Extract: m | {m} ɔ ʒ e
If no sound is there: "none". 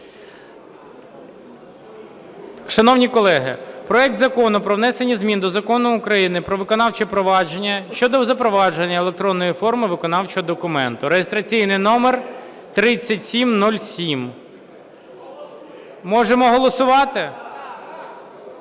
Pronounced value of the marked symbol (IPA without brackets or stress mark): m